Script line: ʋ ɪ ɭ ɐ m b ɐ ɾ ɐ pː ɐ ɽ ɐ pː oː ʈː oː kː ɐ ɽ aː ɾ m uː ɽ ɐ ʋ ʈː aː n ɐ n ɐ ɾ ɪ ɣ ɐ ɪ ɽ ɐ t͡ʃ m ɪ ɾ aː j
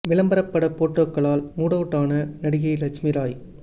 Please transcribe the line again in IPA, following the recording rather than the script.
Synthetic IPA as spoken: ʋ ɪ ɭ ɐ m b ɐ ɾ ɐ pː ɐ ɽ ɐ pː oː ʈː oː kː ɐ ɭ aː l m uː ɽ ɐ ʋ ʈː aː n ɐ n ɐ ɽ ɪ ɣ ɐ ɪ l ɐ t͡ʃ m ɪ ɾ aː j